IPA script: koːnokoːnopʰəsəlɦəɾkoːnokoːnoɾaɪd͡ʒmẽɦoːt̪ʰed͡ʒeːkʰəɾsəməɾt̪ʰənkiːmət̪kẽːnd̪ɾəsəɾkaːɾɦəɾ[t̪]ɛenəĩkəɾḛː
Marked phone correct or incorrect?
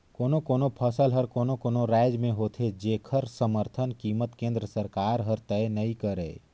correct